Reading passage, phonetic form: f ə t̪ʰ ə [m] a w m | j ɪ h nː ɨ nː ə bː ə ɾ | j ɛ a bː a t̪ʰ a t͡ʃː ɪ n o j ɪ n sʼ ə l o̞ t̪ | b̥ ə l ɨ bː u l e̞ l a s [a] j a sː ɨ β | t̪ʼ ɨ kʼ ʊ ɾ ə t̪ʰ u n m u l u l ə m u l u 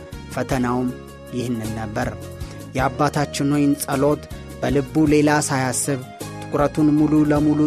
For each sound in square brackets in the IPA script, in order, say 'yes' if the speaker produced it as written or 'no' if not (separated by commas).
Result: no, yes